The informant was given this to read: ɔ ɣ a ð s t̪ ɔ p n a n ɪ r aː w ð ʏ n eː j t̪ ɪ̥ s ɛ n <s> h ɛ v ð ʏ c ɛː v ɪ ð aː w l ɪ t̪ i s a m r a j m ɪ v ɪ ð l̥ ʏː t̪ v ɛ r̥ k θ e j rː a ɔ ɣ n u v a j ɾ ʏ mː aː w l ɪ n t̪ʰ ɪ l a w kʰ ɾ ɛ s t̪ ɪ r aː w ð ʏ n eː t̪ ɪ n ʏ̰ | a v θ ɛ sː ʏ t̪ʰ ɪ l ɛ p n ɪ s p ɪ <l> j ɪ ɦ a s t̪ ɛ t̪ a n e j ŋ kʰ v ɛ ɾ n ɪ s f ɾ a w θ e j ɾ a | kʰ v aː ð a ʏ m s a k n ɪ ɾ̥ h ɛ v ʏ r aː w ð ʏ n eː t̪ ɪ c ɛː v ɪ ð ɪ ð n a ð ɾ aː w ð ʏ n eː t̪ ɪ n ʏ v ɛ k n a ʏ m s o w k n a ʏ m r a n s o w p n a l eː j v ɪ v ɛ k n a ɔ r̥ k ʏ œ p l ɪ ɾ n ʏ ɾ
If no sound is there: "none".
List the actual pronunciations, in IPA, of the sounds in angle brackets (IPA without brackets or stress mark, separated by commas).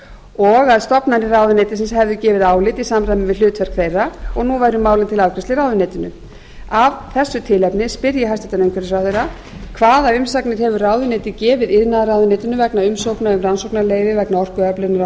s, ɾ